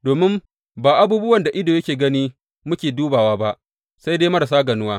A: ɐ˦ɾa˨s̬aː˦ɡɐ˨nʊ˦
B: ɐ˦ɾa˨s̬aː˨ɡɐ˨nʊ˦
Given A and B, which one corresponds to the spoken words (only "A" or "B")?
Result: A